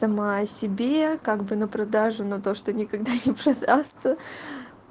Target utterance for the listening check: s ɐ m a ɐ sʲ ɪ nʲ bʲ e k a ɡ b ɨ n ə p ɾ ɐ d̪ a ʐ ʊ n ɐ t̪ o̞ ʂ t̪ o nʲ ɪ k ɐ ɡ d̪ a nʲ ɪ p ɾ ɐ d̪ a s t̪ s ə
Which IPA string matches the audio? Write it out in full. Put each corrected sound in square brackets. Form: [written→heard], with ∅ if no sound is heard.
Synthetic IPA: s ɐ m a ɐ sʲ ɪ [nʲ→∅] bʲ e k a ɡ b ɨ n ə p ɾ ɐ d̪ a ʐ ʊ n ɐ t̪ o̞ ʂ t̪ o nʲ ɪ k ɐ ɡ d̪ a nʲ ɪ p ɾ ɐ d̪ a s t̪ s ə

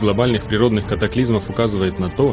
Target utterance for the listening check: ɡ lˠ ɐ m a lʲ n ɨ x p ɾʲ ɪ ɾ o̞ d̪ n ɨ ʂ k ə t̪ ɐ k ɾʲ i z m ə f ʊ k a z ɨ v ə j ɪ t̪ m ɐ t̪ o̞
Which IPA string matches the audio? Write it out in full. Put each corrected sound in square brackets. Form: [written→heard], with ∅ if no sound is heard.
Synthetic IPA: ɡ lˠ ɐ [m→b] a lʲ n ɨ x p ɾʲ ɪ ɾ o̞ d̪ n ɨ [ʂ→x] k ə t̪ ɐ k [ɾʲ→lʲ] i z m ə f ʊ k a z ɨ v ə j ɪ t̪ [m→n] ɐ t̪ o̞

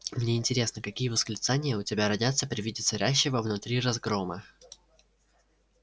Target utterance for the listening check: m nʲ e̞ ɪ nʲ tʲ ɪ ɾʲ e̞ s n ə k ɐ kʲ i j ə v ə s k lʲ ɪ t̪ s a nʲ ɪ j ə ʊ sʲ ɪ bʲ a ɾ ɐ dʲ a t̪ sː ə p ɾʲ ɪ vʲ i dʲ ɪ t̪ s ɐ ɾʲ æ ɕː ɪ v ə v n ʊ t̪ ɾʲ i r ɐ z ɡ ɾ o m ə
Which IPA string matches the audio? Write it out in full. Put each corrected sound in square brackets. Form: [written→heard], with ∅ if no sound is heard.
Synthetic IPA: m nʲ e̞ ɪ nʲ tʲ ɪ ɾʲ e̞ s n ə k ɐ kʲ i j ə v ə s k lʲ ɪ t̪ s a nʲ ɪ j ə ʊ [sʲ→tʲ] ɪ bʲ a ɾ ɐ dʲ a t̪ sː ə p ɾʲ ɪ vʲ i dʲ ɪ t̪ s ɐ ɾʲ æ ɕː ɪ v ə v n ʊ t̪ ɾʲ i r ɐ z ɡ ɾ o m ə

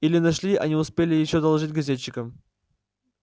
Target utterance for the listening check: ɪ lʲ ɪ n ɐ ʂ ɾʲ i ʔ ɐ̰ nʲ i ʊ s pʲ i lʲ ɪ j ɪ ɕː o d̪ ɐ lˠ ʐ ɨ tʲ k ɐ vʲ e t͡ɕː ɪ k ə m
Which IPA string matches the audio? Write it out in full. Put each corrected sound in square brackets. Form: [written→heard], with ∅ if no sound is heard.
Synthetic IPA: [ɪ→i] lʲ ɪ n ɐ ʂ [ɾʲ→lʲ] i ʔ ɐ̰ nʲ i ʊ s pʲ [i→e] lʲ ɪ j ɪ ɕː o d̪ ɐ lˠ ʐ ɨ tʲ [k→ɡ] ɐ [vʲ→zʲ] e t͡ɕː ɪ k ə m

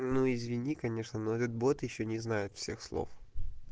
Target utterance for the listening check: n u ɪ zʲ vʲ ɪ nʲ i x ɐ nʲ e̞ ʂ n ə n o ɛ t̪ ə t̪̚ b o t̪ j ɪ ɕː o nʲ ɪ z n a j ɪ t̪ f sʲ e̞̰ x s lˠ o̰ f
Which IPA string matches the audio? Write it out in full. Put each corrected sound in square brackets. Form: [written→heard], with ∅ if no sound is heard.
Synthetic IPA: n u ɪ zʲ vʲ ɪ nʲ i [x→k] ɐ nʲ e̞ ʂ n ə n o ɛ t̪ ə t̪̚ b o t̪ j ɪ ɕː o nʲ ɪ z n a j ɪ t̪ f sʲ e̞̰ x s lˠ o̰ f

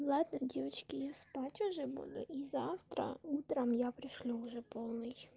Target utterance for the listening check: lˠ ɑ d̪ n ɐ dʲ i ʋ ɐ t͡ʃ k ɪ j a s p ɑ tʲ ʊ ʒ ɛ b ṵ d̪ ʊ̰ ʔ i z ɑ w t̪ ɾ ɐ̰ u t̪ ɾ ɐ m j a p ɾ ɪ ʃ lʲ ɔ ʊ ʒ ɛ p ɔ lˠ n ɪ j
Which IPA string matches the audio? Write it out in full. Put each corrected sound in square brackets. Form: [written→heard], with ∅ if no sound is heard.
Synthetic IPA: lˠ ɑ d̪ n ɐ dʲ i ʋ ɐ t͡ʃ k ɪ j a s p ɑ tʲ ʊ ʒ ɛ b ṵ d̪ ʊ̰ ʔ i z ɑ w t̪ ɾ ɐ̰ u t̪ ɾ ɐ m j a p ɾ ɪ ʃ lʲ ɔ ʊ ʒ ɛ p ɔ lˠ n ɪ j

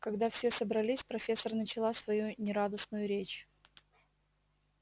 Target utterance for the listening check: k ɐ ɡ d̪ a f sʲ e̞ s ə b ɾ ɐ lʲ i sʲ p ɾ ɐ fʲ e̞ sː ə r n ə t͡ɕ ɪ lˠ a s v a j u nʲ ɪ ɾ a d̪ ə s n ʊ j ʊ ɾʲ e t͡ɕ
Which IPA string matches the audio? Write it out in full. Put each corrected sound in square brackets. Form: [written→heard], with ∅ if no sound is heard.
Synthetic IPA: k ɐ ɡ d̪ a f sʲ e̞ s ə b ɾ ɐ lʲ i sʲ p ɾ ɐ fʲ e̞ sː ə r n ə t͡ɕ ɪ lˠ a s v [a→ɐ] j u nʲ ɪ ɾ a d̪ ə s n ʊ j ʊ ɾʲ e t͡ɕ

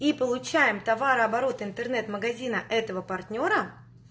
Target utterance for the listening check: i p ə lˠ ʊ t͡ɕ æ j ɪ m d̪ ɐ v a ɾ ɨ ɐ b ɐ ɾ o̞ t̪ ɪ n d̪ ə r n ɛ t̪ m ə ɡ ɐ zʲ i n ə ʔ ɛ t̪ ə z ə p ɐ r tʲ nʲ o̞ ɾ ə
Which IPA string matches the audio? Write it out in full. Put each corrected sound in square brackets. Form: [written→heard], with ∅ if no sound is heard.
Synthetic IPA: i p ə lˠ ʊ t͡ɕ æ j ɪ m [d̪→t̪] ɐ v a ɾ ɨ ɐ b ɐ ɾ o̞ t̪ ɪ n [d̪→t̪] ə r n ɛ t̪ m ə ɡ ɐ zʲ i n ə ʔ ɛ t̪ ə [z→v] ə p ɐ r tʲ nʲ o̞ ɾ ə

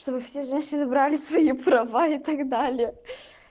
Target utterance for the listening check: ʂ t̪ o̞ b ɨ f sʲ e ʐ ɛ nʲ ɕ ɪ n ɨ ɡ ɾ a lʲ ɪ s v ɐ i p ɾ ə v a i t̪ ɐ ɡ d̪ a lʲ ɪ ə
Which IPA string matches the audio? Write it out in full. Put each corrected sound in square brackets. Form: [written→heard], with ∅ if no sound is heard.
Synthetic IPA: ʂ t̪ o̞ b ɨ f sʲ e ʐ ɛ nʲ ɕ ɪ n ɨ [ɡ→b] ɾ a lʲ ɪ s v ɐ i p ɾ [ə→ɐ] v a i t̪ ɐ ɡ d̪ a lʲ ɪ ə

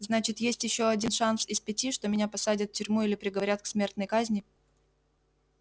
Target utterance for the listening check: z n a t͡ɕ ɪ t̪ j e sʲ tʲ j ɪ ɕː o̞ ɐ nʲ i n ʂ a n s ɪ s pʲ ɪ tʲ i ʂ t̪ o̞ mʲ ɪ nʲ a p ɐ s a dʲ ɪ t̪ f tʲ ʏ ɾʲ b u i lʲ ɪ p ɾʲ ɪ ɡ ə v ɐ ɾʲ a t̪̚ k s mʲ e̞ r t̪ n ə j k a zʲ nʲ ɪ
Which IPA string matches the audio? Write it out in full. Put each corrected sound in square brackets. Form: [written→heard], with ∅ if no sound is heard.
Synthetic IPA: z n a t͡ɕ ɪ t̪ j e sʲ tʲ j ɪ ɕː o̞ ɐ [nʲ→dʲ] i n ʂ a n s ɪ s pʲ ɪ tʲ i ʂ t̪ o̞ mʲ ɪ nʲ a p ɐ s a dʲ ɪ t̪ f tʲ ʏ ɾʲ [b→m] u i lʲ ɪ p ɾʲ ɪ ɡ ə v ɐ ɾʲ a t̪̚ k s mʲ e̞ r t̪ n ə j k a zʲ nʲ ɪ

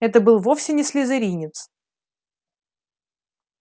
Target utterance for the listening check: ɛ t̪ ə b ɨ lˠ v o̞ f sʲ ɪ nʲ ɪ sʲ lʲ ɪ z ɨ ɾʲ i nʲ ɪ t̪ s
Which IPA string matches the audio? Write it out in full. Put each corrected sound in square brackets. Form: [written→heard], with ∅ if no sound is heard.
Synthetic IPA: ɛ t̪ ə b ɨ lˠ v o̞ f sʲ ɪ nʲ ɪ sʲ lʲ ɪ z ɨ ɾʲ i nʲ ɪ t̪ s

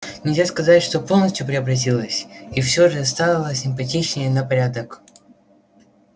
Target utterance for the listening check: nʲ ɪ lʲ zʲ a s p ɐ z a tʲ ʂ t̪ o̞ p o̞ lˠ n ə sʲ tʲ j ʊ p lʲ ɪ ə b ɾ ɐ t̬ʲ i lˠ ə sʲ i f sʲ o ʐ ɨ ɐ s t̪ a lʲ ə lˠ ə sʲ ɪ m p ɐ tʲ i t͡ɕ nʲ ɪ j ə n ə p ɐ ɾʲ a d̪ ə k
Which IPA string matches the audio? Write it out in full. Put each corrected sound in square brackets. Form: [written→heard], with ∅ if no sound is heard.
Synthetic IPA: nʲ ɪ lʲ zʲ a s [p→k] ɐ z a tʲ ʂ t̪ o̞ p o̞ lˠ n ə sʲ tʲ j ʊ p [lʲ→ɾʲ] ɪ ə b ɾ ɐ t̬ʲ i lˠ ə sʲ i f sʲ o ʐ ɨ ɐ s t̪ a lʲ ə lˠ ə sʲ ɪ m p ɐ tʲ i t͡ɕ nʲ ɪ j ə n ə p ɐ ɾʲ a d̪ ə k

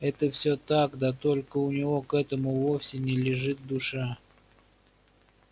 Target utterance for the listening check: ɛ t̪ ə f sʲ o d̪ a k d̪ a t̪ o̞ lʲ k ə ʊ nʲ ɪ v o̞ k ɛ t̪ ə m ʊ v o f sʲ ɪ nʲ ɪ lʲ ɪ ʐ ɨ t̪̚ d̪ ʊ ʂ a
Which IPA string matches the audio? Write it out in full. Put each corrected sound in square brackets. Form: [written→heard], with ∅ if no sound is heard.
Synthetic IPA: ɛ t̪ ə f sʲ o [d̪→t̪] a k d̪ a t̪ o̞ lʲ k ə ʊ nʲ ɪ v o̞ k ɛ t̪ ə m ʊ v o f sʲ ɪ nʲ ɪ lʲ ɪ ʐ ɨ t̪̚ d̪ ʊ ʂ a

